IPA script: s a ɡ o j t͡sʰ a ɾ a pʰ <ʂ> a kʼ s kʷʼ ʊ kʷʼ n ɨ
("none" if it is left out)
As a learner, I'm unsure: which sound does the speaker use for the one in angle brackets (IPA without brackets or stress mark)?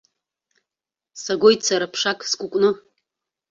ʂ